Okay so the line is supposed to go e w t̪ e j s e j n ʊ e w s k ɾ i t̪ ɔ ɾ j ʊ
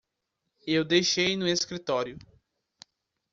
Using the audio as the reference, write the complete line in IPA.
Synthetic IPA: e w d̪ e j ʃ e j n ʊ e s k ɾ i t̪ ɔ ɾ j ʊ